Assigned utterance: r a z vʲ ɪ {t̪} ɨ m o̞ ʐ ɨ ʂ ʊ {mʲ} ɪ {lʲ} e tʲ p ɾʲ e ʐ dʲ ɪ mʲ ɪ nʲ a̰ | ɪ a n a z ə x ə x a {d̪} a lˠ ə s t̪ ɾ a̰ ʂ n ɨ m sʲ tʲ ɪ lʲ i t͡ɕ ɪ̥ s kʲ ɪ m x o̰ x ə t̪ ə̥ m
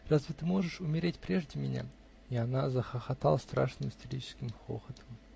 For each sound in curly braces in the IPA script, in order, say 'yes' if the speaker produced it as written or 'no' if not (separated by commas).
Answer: yes, yes, no, no